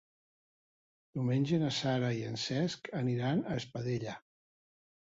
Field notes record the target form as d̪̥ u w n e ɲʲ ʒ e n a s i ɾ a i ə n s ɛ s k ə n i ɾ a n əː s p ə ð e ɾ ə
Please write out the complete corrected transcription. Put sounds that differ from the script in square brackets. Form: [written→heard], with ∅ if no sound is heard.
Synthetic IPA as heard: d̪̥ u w [n→m] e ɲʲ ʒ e n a s [i→a] ɾ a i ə n s ɛ s k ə n i ɾ a n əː s p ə ð e [ɾ→ʎ] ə